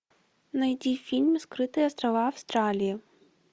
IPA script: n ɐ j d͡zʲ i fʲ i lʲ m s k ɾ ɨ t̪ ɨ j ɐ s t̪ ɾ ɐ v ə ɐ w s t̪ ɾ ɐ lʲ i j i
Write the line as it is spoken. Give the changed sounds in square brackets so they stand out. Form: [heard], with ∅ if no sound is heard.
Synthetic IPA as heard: n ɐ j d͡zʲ i fʲ i lʲ m s k ɾ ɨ t̪ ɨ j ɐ s t̪ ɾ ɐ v [a] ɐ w s t̪ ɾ [a] lʲ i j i